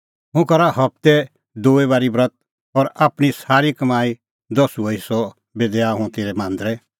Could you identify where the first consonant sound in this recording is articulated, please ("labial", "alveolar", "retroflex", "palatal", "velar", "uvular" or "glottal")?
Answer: glottal